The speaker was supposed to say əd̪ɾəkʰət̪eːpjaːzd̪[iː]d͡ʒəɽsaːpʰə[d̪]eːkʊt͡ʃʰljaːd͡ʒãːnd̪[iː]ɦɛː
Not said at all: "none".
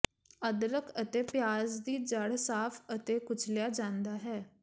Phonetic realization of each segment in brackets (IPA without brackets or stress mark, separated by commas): iː, t̪, aː